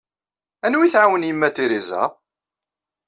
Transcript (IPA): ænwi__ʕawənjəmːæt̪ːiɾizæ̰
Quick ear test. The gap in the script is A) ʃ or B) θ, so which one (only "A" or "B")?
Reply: B